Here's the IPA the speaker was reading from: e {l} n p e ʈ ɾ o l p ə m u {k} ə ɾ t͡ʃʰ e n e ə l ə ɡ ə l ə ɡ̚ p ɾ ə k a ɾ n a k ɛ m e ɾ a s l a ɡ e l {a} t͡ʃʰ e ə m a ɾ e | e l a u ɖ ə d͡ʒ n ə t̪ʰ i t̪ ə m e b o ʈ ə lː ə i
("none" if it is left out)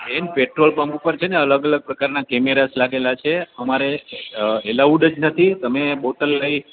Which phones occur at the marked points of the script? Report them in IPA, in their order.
none, p, a

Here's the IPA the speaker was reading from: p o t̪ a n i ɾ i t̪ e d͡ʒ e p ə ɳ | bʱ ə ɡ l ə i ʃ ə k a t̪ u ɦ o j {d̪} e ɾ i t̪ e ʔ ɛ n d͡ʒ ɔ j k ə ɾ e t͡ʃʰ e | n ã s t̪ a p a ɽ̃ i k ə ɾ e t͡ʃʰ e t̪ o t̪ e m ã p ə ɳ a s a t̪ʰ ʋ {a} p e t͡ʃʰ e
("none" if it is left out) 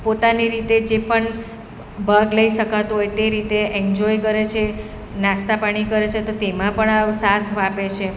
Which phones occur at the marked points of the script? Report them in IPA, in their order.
t̪, a

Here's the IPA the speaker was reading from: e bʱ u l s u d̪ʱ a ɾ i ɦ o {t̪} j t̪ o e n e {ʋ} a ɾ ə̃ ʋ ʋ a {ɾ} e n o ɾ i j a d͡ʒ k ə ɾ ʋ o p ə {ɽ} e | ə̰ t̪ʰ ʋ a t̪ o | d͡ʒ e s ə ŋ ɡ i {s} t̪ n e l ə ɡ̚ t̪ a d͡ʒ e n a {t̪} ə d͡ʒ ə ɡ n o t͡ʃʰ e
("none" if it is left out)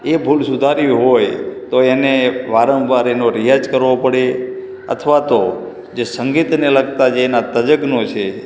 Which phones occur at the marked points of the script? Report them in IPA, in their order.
none, ʋ, ɾ, ɽ, none, t̪

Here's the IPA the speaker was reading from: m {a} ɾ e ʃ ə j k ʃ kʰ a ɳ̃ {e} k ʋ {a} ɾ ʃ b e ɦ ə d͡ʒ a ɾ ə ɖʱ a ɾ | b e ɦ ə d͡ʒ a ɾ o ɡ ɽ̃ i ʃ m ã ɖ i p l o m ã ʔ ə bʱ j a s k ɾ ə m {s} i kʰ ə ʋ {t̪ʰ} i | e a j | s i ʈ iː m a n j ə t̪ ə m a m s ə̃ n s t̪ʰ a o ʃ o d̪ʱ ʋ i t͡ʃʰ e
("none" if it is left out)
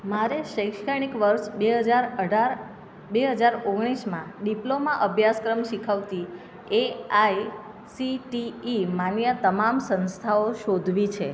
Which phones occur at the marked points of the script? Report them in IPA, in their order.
a, i, ə, ʃ, t̪

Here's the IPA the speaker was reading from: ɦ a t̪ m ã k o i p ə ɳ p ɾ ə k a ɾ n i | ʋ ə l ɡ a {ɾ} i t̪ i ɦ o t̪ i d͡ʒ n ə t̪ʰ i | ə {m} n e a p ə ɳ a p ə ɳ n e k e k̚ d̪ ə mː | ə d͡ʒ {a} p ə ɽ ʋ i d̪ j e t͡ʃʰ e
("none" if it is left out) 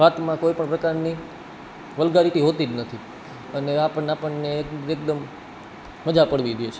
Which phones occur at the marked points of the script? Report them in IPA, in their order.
ɾ, none, a

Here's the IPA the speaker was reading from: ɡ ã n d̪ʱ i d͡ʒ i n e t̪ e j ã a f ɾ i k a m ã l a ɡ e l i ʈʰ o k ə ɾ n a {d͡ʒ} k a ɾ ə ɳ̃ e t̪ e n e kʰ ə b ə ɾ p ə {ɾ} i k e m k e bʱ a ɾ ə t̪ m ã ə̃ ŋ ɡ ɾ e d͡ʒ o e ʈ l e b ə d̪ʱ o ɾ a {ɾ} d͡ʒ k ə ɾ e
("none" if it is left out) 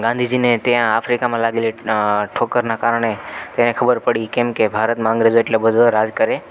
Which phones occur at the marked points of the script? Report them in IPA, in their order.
none, ɽ, none

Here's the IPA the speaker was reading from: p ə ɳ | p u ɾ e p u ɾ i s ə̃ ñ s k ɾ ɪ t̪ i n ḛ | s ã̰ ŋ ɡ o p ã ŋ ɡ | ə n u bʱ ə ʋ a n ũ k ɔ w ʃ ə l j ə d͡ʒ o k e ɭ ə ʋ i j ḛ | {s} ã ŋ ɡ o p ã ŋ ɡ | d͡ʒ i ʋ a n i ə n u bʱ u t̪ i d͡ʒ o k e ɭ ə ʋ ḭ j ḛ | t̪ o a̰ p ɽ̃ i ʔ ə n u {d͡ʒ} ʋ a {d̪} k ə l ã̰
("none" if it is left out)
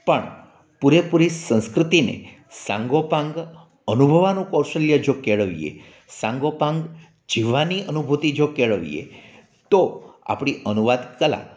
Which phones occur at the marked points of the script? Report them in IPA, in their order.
s, none, d̪

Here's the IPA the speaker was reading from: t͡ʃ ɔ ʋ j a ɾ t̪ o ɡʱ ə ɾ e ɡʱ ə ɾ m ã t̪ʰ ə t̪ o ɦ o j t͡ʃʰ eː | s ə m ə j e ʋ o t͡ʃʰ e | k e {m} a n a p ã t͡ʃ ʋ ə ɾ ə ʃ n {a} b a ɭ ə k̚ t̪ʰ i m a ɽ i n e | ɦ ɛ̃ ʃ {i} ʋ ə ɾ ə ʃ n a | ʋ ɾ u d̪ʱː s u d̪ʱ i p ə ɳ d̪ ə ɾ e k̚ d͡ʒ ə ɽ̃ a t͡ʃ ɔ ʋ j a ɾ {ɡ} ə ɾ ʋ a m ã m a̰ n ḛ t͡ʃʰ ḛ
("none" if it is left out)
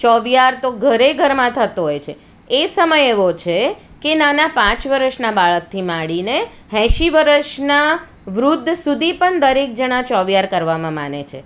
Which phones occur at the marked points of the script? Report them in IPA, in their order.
n, a, i, k

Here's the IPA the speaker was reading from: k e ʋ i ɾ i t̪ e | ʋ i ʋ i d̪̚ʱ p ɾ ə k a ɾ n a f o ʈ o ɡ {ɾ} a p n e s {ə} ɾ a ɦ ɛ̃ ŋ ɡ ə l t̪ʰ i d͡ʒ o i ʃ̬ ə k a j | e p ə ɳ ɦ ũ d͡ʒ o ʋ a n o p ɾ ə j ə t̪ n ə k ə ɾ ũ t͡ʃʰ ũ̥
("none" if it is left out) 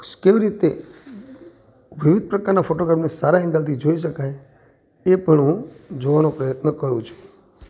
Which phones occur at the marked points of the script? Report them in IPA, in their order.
ɾ, a

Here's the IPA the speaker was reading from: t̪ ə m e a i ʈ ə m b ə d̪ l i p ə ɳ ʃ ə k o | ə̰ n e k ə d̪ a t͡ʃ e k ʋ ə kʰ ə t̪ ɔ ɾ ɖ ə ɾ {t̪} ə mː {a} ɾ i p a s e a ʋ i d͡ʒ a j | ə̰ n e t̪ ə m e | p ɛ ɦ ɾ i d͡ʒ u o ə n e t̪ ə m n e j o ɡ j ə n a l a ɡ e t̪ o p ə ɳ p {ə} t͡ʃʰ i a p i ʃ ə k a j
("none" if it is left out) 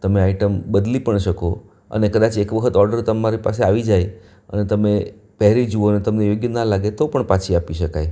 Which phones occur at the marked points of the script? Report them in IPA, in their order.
t̪, a, a

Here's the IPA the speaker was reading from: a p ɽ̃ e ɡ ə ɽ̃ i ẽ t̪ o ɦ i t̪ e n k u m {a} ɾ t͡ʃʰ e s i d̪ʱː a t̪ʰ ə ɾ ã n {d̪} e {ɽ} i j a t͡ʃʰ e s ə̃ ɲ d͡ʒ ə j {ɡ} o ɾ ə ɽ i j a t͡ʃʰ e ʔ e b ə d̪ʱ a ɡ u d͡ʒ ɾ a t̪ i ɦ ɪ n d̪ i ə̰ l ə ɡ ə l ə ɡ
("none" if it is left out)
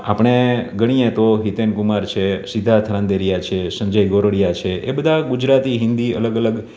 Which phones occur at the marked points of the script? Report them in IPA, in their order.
a, d̪, ɾ, ɡ

